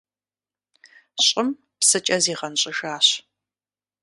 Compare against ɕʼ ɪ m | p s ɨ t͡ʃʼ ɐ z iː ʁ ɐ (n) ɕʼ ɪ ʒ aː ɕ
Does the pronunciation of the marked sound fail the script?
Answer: no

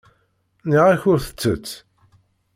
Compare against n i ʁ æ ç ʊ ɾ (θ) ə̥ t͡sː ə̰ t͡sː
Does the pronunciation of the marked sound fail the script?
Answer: no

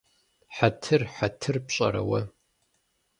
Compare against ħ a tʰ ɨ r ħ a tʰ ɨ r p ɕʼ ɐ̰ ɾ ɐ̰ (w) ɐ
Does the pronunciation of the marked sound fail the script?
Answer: no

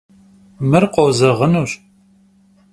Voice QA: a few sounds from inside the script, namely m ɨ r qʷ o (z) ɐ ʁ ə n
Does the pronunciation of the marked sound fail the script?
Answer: no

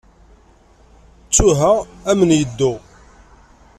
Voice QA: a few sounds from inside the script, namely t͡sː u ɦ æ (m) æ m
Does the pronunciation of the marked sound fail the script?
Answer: yes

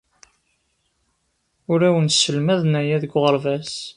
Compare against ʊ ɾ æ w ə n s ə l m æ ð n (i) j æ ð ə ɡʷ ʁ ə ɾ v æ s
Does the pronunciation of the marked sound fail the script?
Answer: yes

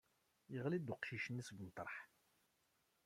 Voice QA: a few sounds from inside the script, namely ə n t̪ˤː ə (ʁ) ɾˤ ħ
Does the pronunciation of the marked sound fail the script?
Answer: yes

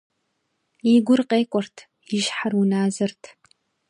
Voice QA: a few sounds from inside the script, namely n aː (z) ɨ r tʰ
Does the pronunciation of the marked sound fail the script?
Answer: no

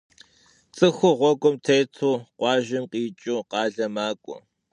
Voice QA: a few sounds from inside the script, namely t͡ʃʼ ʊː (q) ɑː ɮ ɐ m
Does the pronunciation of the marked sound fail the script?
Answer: no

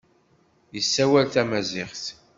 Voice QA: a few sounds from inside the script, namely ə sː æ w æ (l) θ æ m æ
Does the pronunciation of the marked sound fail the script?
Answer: no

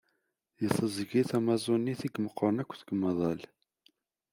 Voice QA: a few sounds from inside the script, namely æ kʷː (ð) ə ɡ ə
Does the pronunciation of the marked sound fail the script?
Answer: yes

